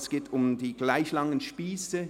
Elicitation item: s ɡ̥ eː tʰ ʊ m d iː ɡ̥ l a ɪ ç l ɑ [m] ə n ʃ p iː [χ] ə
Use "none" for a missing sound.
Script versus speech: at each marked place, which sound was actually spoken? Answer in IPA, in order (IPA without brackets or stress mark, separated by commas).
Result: ŋ, s